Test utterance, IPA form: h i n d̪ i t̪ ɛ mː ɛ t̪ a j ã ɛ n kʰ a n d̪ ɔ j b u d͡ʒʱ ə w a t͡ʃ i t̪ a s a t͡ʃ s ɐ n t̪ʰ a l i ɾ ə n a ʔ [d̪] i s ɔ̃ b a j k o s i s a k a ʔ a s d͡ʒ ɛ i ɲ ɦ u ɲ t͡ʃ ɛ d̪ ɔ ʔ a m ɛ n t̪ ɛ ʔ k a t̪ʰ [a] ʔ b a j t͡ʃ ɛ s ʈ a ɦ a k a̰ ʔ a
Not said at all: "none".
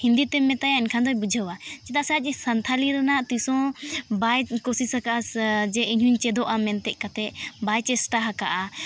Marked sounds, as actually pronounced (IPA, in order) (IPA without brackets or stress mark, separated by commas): t̪, ɛ